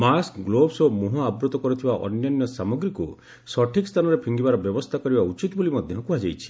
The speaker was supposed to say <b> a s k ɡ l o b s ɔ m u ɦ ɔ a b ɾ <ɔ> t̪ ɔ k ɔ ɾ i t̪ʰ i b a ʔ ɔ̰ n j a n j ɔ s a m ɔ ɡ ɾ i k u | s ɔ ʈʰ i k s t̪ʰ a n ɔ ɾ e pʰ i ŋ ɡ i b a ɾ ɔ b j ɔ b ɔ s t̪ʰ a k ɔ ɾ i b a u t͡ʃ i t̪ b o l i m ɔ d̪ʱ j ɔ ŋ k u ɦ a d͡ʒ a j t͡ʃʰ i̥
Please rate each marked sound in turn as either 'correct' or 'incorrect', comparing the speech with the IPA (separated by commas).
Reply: incorrect, incorrect